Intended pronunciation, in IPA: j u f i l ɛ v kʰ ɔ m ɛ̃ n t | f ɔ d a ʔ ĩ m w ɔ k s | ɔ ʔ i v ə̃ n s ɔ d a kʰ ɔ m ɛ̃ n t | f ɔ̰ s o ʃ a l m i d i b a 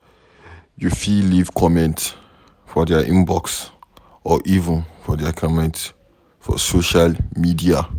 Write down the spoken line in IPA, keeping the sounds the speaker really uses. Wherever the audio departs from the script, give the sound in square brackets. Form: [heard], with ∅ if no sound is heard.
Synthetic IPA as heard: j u f i l [i] v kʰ ɔ m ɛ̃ n t | f ɔ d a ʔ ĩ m [b] ɔ k s | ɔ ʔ i v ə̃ n [f] ɔ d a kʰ ɔ m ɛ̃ n t | f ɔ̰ s o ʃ a l m i d i [∅] a